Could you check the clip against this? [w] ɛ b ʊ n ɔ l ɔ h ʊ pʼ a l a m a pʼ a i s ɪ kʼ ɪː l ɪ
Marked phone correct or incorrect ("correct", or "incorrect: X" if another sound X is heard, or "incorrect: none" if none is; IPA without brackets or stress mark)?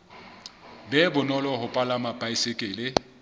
incorrect: b